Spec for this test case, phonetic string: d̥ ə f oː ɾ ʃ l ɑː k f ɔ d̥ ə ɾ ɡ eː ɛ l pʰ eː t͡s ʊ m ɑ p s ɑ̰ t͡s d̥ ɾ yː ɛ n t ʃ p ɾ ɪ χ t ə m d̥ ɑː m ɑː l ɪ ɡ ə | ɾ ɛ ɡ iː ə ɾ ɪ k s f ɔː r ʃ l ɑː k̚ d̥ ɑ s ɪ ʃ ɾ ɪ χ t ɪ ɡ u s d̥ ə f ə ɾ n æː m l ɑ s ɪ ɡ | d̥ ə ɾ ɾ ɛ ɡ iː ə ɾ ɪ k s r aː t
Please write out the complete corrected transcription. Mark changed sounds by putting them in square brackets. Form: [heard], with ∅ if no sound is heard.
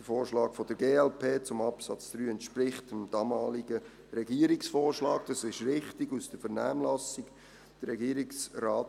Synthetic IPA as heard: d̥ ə f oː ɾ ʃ l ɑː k f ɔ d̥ ə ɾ ɡ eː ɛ l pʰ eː t͡s ʊ m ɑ p s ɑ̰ t͡s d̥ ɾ yː ɛ n t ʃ p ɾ ɪ χ t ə m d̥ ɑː m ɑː l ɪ ɡ ə | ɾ ɛ ɡ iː ə ɾ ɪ k s f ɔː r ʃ l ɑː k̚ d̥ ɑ s ɪ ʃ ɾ ɪ χ t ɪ ɡ u s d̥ ə f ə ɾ n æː m l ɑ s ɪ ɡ | d̥ ə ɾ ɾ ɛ ɡ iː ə ɾ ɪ k s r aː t